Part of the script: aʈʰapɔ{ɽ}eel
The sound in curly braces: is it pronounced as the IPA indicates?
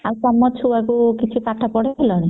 yes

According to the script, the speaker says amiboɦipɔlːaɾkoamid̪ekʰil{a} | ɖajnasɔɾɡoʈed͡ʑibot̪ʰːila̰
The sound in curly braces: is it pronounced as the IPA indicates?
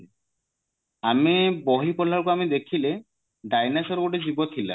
no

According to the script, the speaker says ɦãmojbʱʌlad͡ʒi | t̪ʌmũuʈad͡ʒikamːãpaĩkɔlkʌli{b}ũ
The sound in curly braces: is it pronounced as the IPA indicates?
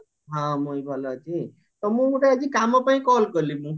no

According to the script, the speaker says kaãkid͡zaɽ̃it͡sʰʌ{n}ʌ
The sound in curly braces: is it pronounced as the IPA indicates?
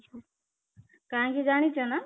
yes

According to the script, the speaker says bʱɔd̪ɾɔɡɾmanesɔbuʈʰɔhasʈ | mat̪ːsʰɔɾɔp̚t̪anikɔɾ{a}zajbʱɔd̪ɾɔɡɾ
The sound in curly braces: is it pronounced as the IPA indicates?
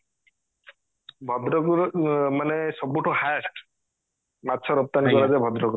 yes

